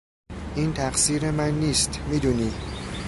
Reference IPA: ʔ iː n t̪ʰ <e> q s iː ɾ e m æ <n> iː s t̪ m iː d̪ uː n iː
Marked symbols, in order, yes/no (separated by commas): no, no